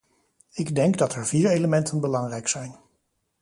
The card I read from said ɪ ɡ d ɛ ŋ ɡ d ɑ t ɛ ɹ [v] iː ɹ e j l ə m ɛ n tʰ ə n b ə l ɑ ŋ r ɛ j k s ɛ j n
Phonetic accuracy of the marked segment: correct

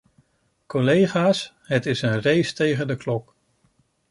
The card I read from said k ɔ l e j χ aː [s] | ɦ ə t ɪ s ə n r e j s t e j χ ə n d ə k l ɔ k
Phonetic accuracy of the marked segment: correct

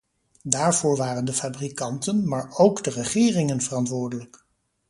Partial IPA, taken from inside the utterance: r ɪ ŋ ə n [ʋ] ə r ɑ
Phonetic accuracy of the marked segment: incorrect: v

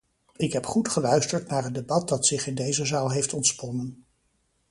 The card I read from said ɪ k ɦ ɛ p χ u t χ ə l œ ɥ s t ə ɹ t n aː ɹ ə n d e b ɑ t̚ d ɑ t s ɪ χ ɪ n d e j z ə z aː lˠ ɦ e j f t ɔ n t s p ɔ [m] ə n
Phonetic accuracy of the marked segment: incorrect: n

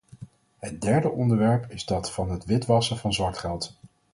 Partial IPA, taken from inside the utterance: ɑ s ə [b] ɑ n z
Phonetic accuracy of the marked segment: incorrect: v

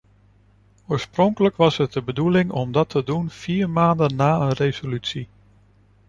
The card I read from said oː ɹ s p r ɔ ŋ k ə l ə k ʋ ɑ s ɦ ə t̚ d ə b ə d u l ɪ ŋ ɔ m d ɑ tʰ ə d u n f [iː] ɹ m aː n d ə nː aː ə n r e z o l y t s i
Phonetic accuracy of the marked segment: correct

